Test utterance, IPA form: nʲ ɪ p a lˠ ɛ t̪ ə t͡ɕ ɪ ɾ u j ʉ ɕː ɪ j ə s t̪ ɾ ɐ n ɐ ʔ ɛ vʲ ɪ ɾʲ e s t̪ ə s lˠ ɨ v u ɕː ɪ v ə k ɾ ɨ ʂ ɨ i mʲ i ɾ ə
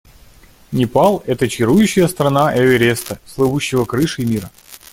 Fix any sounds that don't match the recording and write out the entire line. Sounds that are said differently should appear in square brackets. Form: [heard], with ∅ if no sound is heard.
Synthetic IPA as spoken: nʲ ɪ p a lˠ ɛ t̪ ə t͡ɕ ɪ ɾ u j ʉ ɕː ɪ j ə s t̪ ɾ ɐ n [a] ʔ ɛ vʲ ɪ ɾʲ e s t̪ ə s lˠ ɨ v u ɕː ɪ v ə k ɾ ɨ ʂ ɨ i mʲ i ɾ ə